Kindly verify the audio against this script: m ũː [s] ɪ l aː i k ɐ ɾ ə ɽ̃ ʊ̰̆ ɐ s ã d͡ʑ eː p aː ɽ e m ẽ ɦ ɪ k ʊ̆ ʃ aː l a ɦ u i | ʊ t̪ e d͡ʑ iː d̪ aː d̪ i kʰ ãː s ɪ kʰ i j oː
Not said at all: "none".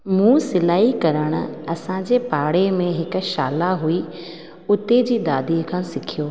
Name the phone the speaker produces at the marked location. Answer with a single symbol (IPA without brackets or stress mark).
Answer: s